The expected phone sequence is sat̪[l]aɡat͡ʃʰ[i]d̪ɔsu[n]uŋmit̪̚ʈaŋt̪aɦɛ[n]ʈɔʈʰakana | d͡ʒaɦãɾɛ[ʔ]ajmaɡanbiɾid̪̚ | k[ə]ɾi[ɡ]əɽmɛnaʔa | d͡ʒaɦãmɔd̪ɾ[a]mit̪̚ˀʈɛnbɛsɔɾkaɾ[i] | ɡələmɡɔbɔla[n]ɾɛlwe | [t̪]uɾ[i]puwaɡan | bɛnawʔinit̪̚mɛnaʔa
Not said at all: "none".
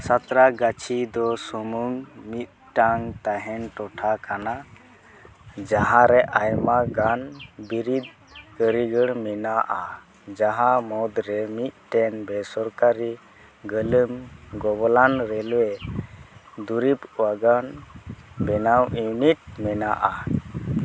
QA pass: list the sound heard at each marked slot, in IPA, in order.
ɾ, i, m, n, ʔ, ə, ɡ, ɛ, i, n, d̪, i

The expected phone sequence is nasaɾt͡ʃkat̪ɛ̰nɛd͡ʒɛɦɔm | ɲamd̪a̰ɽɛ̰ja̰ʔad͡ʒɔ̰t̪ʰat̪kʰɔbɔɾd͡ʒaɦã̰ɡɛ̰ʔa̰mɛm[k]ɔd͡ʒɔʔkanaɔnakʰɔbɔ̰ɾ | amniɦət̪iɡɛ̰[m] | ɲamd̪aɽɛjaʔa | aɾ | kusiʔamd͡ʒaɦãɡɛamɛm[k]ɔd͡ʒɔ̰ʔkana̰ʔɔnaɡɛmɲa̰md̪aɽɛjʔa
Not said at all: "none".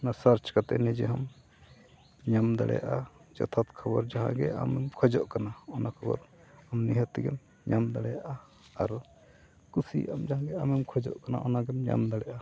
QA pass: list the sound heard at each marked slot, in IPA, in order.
kʰ, m, kʰ

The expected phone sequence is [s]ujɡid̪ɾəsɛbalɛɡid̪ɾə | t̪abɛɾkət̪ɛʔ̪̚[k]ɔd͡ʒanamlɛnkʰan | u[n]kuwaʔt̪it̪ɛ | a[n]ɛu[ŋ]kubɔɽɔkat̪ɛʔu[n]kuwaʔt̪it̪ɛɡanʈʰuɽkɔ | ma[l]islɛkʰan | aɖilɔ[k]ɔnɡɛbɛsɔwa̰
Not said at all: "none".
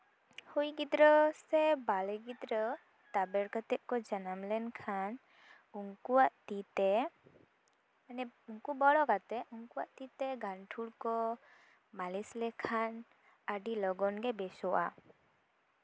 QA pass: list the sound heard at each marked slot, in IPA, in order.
h, k, ŋ, n, ŋ, ŋ, l, ɡ

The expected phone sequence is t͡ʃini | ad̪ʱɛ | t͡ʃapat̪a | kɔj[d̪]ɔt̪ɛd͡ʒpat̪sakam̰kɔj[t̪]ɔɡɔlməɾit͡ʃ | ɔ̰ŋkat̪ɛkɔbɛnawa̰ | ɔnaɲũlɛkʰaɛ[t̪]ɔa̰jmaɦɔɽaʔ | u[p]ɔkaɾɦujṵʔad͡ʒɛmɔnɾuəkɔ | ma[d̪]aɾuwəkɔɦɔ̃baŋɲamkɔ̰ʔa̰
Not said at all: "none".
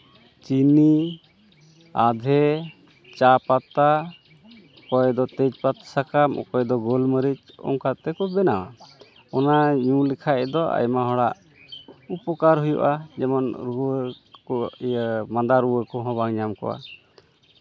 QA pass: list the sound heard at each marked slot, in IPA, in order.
d̪, d̪, d̪, p, d̪

